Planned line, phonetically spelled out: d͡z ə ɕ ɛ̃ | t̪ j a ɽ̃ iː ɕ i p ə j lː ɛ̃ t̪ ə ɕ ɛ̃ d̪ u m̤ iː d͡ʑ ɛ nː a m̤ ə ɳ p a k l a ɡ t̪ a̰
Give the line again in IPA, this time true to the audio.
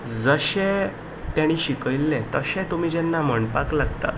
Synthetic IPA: d͡z ə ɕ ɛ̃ | t̪ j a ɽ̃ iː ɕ i k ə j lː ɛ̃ t̪ ə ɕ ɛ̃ t̪ u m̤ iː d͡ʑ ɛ nː a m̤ ə ɳ p a k l a ɡ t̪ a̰